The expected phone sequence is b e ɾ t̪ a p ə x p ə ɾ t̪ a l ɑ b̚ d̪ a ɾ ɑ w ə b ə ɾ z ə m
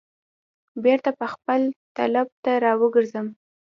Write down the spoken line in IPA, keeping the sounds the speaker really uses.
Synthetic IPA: b e ɾ t̪ a p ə x p ə l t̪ a l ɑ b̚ t̪ a ɾ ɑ w ə ɡ ə ɾ z ə m